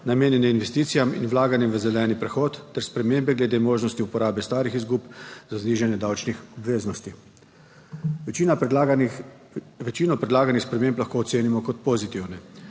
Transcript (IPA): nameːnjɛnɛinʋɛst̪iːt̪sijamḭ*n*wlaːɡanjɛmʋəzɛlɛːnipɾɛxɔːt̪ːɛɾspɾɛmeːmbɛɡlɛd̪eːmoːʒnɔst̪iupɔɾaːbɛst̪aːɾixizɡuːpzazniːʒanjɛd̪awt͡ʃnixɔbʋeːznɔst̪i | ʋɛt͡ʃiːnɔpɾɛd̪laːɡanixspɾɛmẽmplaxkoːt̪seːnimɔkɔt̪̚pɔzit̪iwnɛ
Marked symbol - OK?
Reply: yes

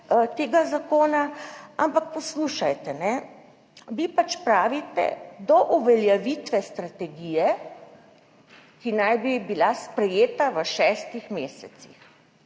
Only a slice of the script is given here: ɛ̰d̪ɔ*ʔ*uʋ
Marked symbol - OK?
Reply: yes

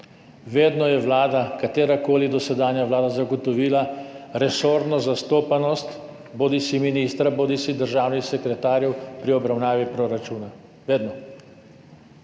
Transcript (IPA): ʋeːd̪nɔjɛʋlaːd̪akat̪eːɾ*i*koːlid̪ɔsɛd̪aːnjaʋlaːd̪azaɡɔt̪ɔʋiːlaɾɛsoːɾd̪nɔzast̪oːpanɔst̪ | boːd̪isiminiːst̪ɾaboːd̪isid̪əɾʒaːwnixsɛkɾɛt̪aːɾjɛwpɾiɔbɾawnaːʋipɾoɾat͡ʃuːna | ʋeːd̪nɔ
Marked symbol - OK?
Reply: no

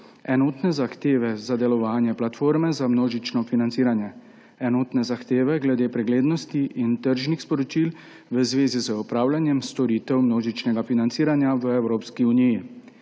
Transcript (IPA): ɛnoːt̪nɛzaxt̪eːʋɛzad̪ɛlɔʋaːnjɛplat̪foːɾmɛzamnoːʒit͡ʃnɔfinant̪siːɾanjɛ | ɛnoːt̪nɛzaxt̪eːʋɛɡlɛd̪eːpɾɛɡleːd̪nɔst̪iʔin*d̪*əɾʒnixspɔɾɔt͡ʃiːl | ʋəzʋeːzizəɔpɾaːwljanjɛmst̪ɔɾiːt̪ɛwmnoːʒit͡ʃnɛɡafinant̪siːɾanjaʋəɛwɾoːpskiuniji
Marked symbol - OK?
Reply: no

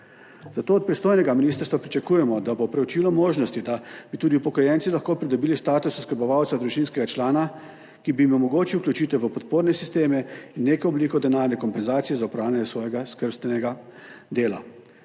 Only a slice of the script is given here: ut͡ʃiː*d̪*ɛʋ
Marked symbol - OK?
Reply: no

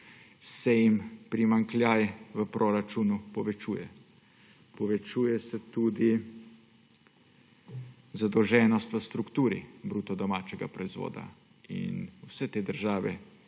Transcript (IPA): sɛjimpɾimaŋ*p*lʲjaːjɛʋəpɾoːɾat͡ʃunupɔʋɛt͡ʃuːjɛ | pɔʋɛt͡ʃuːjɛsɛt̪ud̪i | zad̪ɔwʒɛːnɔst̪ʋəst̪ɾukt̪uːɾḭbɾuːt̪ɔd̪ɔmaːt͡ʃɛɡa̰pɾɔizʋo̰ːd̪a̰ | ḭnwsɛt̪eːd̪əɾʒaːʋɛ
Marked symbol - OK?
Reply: no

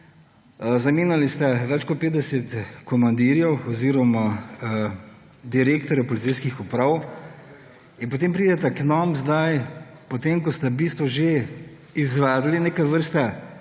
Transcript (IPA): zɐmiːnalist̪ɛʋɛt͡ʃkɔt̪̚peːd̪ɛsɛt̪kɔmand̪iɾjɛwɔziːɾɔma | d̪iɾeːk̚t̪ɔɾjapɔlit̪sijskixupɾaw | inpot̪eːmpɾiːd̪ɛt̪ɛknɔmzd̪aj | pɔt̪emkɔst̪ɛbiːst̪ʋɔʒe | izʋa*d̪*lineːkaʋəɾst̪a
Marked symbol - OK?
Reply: yes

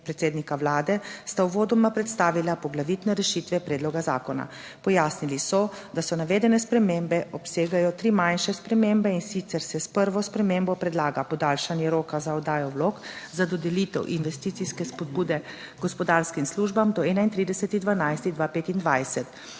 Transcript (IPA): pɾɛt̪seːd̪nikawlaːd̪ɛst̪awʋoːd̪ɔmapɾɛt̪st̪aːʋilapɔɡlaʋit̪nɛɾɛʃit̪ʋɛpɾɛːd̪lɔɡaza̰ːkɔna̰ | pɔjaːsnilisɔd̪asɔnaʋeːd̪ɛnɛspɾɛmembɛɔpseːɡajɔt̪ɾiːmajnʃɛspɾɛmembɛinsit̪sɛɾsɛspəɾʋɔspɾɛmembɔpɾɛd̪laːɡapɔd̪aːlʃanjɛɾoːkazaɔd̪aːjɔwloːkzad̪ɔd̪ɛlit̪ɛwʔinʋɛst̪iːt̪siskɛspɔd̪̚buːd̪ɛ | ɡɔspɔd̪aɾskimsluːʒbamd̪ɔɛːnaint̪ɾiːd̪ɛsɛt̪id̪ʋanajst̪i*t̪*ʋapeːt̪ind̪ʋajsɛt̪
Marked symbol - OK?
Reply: no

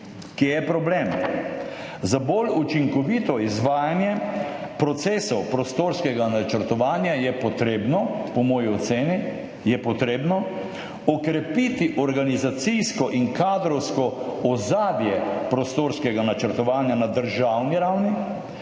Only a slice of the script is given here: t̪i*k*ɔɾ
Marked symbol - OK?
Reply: no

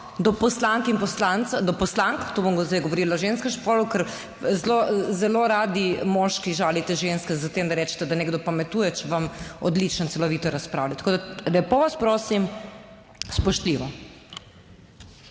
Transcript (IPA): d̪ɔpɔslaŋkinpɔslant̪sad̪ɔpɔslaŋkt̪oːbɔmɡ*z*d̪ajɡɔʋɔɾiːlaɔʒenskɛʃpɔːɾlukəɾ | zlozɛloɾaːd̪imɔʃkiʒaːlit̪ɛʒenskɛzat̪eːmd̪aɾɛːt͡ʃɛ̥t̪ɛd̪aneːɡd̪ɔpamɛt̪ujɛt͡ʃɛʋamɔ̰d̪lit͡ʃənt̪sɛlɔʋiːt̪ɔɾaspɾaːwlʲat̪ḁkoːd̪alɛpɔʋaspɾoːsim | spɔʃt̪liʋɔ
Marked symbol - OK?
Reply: yes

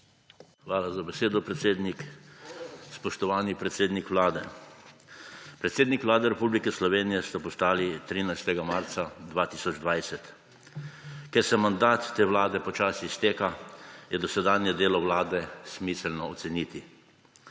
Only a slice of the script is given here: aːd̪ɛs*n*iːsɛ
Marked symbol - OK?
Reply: no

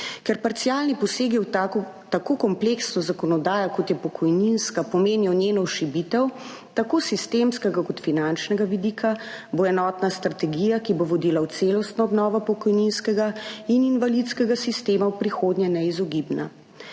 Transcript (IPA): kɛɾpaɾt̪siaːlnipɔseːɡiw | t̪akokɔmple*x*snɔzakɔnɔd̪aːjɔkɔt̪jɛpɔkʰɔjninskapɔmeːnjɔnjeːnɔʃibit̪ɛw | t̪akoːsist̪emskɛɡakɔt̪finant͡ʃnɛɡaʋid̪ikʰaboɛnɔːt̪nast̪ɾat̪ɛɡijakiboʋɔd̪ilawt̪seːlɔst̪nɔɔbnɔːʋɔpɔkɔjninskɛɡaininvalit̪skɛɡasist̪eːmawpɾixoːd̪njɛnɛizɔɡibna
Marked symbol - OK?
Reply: no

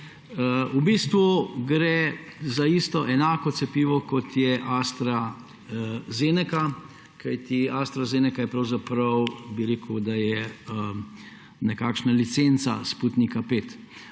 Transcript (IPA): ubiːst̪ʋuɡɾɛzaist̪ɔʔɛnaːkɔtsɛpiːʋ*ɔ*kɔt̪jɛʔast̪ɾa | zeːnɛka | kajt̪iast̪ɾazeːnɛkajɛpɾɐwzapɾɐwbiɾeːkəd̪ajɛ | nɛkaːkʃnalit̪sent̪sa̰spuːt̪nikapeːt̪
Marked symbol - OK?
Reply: yes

